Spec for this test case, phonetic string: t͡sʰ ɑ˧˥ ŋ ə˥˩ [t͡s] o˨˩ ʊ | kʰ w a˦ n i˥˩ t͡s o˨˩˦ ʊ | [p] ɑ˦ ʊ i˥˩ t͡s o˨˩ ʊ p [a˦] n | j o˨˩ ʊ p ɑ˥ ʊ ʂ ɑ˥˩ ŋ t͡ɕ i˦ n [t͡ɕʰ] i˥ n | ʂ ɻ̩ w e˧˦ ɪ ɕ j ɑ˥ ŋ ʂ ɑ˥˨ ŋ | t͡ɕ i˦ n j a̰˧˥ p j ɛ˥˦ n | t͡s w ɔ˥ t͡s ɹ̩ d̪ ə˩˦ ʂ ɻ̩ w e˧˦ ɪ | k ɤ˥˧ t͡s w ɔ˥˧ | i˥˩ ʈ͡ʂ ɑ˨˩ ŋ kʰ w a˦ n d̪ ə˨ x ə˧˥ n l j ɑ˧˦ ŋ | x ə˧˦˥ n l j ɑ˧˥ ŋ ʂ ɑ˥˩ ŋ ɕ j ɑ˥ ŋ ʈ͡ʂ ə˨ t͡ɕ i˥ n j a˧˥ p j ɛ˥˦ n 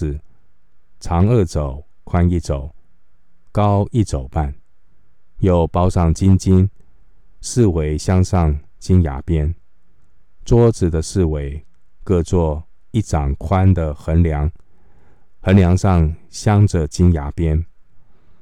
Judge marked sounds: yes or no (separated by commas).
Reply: yes, no, no, no